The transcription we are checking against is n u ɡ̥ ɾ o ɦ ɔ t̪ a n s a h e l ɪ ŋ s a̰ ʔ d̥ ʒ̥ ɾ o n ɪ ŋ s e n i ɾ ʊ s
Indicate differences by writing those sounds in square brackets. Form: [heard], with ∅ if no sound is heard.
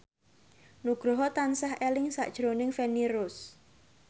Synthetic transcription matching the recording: n u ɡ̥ ɾ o ɦ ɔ t̪ a n s a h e l ɪ ŋ s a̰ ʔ d̥ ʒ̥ ɾ o n ɪ ŋ [f] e n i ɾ ʊ s